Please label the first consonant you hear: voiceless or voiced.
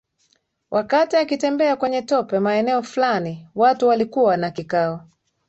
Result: voiced